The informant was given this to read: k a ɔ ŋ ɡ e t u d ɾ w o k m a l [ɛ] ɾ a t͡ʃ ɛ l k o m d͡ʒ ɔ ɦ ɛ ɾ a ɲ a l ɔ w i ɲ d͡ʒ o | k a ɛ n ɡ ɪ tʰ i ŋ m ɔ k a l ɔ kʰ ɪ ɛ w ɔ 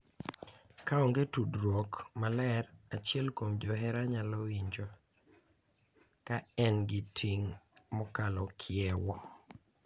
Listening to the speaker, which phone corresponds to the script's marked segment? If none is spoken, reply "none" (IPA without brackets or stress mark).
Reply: ɛ